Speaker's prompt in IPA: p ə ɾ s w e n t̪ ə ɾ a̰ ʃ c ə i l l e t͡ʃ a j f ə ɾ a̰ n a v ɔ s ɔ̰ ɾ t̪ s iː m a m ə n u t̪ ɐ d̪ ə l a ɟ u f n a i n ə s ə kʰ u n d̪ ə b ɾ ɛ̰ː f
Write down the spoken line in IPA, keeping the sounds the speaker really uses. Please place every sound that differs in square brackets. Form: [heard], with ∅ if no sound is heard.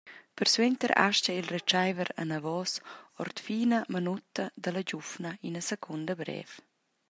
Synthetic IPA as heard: p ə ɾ s w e n t̪ ə ɾ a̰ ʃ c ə i l [r] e t͡ʃ a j [v] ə ɾ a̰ n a v ɔ s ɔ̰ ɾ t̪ [f] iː [n] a m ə n u t̪ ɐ d̪ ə l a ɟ u f n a i n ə s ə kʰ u n d̪ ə b ɾ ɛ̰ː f

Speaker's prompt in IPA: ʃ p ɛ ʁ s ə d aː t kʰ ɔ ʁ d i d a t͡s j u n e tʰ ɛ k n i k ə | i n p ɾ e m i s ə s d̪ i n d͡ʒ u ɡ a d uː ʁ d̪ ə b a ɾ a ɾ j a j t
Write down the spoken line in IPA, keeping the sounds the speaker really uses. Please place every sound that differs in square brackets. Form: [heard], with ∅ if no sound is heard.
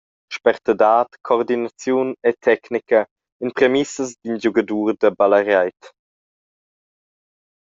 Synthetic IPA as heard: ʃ p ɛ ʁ [t] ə d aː t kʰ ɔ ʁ d i [n] a t͡s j u n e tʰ ɛ k n i k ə | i n p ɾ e m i s ə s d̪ i n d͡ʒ u ɡ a d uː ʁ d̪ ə b a [l] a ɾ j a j t

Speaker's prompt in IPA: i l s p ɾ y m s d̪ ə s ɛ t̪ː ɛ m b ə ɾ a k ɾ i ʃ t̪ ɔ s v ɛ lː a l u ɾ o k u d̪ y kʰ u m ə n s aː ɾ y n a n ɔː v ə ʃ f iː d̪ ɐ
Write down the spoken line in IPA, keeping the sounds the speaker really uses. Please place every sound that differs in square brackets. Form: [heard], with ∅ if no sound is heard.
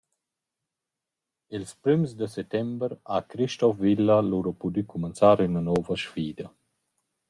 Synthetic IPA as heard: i l s p ɾ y m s d̪ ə s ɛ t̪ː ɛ m b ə ɾ a k ɾ i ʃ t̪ ɔ [f] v [i] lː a l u ɾ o [p] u d̪ y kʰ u m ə n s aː ɾ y n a n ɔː v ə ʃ f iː d̪ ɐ

